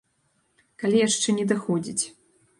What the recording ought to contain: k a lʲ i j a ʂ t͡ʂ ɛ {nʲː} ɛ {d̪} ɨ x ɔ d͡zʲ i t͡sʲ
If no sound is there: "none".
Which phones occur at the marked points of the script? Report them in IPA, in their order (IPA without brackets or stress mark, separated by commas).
nʲ, d̪